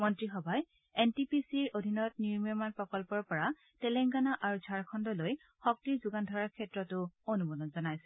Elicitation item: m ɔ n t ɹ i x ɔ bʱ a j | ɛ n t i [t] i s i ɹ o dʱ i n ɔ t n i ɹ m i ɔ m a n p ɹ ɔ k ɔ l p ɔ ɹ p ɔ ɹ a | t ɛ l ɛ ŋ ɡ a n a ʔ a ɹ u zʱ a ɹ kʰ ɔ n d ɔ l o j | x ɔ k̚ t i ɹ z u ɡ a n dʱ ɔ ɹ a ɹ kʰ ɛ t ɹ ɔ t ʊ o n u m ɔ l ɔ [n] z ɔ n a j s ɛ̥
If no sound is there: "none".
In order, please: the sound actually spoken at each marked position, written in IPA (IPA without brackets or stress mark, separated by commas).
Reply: p, n